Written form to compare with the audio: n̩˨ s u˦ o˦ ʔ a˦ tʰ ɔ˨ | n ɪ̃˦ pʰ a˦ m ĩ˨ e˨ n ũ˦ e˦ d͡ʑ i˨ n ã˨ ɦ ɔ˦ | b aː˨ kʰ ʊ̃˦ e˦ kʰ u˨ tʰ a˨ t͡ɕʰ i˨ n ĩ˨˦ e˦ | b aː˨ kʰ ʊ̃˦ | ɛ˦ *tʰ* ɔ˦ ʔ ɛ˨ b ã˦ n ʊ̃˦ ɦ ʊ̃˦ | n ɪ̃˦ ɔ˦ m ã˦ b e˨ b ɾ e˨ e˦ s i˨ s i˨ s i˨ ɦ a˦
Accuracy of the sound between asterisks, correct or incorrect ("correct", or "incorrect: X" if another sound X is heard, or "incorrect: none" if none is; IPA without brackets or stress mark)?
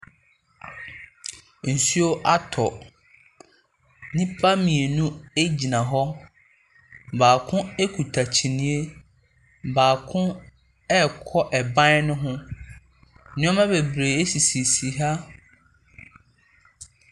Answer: incorrect: kʰ